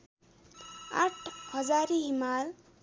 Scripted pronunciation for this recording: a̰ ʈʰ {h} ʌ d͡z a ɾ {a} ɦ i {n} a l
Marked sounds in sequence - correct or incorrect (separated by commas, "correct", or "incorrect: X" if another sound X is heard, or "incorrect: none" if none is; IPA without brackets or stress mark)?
correct, incorrect: i, incorrect: m